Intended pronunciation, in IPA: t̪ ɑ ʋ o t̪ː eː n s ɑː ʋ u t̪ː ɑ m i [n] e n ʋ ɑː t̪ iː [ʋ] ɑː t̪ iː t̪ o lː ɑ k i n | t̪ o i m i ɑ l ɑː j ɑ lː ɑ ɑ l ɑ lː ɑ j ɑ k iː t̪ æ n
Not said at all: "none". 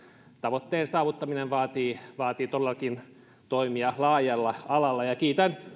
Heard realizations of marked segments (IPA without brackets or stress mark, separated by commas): n, ʋ